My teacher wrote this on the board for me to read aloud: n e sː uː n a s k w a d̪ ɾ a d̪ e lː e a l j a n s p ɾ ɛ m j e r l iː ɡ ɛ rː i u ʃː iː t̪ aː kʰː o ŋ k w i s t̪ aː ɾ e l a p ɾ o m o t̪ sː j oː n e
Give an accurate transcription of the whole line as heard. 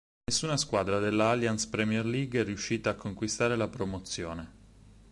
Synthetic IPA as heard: n e sː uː n a s k w a d̪ ɾ a d̪ e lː a a l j a n s p ɾ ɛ m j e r l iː ɡ ɛ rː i u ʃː iː t̪ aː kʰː o ŋ k w i s t̪ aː ɾ e l a p ɾ o m o t̪ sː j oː n e